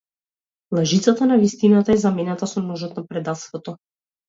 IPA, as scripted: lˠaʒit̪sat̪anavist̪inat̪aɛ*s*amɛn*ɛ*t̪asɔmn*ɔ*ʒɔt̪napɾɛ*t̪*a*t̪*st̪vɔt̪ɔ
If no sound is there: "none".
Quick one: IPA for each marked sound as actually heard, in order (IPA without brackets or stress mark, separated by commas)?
z, a, ɔ, d̪, t̪